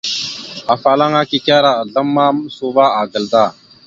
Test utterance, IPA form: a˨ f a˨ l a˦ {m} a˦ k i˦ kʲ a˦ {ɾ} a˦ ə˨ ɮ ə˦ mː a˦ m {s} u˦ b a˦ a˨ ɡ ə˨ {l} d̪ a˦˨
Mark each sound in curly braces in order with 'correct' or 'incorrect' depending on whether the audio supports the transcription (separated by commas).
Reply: incorrect, correct, correct, correct